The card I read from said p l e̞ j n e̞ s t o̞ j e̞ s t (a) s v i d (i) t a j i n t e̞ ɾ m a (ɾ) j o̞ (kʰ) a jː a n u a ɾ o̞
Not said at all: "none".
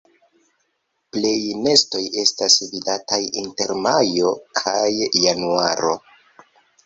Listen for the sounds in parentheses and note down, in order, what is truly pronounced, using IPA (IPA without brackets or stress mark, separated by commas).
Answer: a, a, none, kʰ